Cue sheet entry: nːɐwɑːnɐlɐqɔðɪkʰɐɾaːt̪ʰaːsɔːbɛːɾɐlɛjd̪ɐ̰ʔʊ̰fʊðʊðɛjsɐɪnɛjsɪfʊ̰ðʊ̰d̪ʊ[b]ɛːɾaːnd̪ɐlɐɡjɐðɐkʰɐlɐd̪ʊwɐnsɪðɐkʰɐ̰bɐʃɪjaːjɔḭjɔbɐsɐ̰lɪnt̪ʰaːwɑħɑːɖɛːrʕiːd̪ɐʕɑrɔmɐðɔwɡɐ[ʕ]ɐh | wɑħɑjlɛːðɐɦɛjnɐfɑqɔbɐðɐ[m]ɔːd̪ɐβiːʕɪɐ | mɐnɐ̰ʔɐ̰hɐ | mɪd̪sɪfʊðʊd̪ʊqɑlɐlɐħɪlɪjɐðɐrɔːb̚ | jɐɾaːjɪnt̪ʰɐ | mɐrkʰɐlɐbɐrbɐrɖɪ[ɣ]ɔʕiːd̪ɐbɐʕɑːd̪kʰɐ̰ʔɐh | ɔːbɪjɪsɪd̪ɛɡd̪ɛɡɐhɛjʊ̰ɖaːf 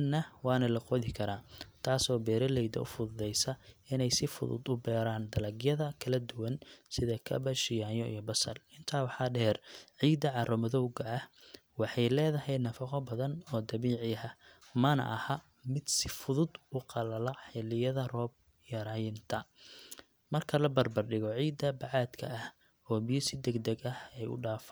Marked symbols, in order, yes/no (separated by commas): yes, yes, no, yes